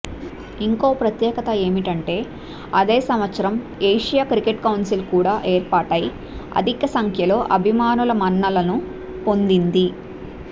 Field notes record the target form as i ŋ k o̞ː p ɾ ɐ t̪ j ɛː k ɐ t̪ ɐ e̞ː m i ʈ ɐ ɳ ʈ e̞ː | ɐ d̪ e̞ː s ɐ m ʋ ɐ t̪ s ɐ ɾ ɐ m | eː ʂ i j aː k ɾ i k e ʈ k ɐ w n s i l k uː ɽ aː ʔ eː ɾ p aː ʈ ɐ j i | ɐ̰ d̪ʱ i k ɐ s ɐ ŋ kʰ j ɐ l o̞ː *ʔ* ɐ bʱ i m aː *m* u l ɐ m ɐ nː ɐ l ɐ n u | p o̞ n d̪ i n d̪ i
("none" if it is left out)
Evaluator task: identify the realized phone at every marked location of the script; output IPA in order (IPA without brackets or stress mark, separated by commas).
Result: ʔ, n